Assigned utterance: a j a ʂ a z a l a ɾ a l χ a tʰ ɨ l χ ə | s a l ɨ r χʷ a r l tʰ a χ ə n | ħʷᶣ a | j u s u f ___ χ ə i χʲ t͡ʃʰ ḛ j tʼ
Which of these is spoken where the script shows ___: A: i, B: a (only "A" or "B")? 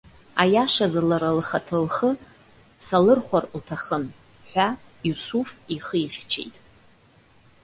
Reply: A